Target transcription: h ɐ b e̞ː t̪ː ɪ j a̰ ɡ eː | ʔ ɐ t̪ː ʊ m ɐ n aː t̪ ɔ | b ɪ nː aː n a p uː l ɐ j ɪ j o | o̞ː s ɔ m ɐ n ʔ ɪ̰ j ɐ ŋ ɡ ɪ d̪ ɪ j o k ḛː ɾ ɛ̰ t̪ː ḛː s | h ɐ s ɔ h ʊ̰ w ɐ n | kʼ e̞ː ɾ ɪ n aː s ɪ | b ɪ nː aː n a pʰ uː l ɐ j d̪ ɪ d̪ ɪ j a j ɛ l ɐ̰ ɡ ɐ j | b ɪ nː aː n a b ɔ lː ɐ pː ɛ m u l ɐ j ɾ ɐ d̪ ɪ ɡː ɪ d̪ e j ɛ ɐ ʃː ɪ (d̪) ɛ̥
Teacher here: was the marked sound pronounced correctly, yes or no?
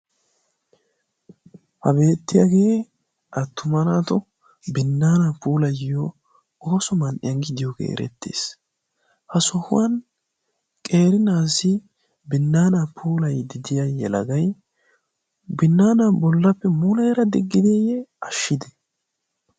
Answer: yes